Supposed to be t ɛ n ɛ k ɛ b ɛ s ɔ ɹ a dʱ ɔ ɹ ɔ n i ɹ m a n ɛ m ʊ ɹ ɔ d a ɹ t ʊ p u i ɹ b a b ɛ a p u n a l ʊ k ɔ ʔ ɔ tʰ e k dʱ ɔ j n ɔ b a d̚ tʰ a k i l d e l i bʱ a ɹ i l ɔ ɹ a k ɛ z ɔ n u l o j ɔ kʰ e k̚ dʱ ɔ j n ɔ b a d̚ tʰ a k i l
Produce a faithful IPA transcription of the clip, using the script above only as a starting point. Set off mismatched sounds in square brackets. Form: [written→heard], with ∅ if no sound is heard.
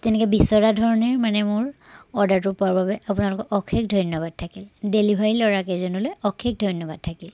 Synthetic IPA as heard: t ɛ n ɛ k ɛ b [ɛ→i] s ɔ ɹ a dʱ ɔ ɹ ɔ n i ɹ m a n ɛ m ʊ ɹ ɔ d a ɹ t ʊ p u [i→a] ɹ b a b ɛ a p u n a l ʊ k ɔ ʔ ɔ [tʰ→kʰ] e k dʱ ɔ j n ɔ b a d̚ tʰ a k i l d e l i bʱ a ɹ i l ɔ ɹ a k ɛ z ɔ n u l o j ɔ kʰ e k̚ dʱ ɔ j n ɔ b a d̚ tʰ a k i l